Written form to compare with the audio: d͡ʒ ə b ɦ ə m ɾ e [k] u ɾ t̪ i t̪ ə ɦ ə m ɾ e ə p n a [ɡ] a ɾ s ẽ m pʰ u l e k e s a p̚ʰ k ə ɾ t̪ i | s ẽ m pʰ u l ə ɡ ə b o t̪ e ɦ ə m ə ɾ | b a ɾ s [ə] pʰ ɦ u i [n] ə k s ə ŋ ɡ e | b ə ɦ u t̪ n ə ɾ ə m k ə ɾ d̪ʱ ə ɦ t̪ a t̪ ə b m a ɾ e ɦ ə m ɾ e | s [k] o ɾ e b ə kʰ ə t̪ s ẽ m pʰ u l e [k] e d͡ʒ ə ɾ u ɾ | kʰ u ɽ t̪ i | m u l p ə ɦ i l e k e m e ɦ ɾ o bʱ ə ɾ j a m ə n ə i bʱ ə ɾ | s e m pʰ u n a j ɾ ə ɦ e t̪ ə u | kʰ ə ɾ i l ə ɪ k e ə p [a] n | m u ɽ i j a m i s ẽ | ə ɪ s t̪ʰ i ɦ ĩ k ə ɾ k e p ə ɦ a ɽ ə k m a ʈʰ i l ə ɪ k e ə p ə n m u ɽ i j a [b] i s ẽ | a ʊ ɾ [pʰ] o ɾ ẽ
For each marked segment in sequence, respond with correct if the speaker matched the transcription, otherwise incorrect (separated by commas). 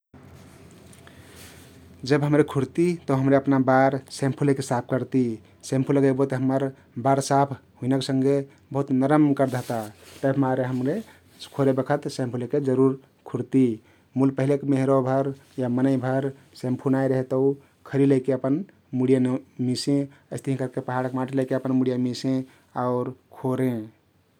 incorrect, incorrect, incorrect, correct, incorrect, correct, incorrect, incorrect, incorrect